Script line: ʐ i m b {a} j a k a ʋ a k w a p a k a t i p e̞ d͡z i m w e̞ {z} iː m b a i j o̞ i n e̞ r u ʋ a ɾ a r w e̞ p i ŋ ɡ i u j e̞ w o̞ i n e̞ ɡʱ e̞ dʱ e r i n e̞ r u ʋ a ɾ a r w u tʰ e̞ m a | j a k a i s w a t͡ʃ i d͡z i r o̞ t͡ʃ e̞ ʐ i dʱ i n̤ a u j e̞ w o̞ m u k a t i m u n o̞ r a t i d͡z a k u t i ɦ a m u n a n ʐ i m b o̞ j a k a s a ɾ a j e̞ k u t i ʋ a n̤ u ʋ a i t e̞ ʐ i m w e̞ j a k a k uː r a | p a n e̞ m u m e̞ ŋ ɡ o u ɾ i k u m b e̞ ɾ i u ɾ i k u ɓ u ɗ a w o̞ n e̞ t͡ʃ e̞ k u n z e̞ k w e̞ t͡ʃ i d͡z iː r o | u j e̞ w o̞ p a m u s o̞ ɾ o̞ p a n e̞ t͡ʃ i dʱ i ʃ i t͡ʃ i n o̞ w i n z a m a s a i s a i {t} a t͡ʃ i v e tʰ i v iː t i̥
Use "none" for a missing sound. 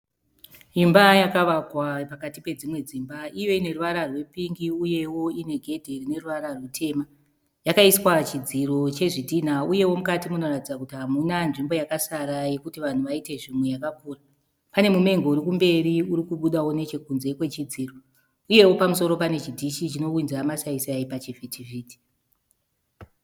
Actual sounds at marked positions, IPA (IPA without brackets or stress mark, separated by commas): a, d͡z, p